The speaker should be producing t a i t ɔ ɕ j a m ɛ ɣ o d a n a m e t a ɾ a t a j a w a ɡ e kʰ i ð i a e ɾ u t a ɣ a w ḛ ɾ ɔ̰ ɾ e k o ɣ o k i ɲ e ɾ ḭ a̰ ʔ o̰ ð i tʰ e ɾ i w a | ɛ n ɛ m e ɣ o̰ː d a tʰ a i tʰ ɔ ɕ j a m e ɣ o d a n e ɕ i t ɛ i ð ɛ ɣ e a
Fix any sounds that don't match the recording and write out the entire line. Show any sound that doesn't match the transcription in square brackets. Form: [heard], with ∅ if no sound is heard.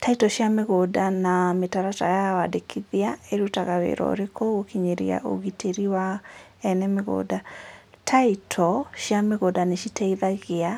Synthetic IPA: t a i t ɔ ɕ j a m [e] ɣ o d a n a m e t a ɾ a t a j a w a [d] e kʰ i ð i a e ɾ u t a ɣ a w ḛ ɾ ɔ̰ ɾ e k o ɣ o k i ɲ e ɾ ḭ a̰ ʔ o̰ [ɣ] i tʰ e ɾ i w a | ɛ n ɛ m e ɣ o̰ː d a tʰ a i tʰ ɔ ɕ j a m e ɣ o d a n e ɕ i t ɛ i ð [a] ɣ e a